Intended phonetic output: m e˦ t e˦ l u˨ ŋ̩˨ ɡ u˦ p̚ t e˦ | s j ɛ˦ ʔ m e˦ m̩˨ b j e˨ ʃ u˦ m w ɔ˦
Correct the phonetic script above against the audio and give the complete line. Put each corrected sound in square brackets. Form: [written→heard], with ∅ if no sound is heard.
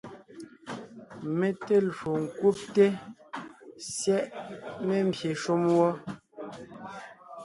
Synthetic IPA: m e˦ t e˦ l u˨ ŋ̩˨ [ɡ→k] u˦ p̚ t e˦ | s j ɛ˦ ʔ m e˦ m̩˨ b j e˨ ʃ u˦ m w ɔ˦